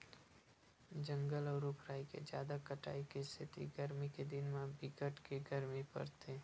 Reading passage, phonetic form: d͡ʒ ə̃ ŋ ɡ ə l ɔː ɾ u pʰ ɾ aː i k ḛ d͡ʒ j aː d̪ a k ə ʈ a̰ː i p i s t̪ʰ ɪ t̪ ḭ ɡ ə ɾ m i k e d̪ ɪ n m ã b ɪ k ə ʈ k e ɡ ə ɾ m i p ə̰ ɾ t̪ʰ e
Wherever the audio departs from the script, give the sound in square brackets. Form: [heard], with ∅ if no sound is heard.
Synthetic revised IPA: d͡ʒ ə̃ ŋ ɡ ə l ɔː ɾ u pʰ ɾ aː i k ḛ d͡ʒ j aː d̪ a k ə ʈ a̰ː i [k] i s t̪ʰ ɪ t̪ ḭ ɡ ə ɾ m i k e d̪ ɪ n m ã b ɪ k ə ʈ k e ɡ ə ɾ m i p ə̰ ɾ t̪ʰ e